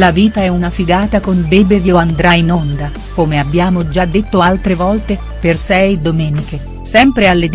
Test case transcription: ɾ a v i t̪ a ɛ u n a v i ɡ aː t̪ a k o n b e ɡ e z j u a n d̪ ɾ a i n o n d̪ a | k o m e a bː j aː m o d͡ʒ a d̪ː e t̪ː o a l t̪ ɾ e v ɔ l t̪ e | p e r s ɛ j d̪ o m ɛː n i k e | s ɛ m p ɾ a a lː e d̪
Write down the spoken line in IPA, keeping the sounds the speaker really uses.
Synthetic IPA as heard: l a v iː t̪ a ɛ u n a f i ɡ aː t̪ a k o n b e b e v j o a n d̪ ɾ a i n o n d̪ a | k o m e a bː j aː m o d͡ʒ a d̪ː e t̪ː o a l t̪ ɾ e v ɔ l t̪ e | p e r s ɛ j d̪ o m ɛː n i k e | s ɛ m p ɾ e a lː e d̪